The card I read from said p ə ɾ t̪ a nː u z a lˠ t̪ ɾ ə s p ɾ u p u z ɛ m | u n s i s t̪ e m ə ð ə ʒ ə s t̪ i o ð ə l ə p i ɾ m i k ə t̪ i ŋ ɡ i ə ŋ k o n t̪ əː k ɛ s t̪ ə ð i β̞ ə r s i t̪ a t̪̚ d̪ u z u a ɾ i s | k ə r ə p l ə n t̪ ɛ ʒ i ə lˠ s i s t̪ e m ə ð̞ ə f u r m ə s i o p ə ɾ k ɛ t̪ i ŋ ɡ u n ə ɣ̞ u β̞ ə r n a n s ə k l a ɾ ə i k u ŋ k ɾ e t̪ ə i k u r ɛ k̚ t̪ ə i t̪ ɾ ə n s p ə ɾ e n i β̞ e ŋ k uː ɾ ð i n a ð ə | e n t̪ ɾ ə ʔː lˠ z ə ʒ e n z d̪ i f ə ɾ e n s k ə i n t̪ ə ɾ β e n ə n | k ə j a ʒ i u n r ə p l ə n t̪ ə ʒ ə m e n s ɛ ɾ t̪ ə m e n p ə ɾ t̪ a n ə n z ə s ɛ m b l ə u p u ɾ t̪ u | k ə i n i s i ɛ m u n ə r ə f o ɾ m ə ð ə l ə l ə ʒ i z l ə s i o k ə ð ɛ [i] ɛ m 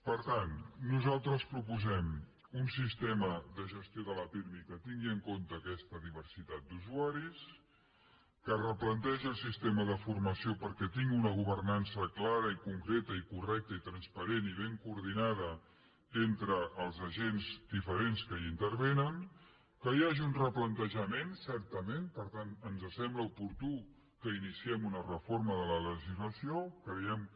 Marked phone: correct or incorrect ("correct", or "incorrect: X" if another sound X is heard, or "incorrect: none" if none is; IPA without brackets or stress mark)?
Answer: incorrect: j